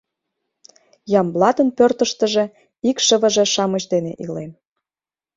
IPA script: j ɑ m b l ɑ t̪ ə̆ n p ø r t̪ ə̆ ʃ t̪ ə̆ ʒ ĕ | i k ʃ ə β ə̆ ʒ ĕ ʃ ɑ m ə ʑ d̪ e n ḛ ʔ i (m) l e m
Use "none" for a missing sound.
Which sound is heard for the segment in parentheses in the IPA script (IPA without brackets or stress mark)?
none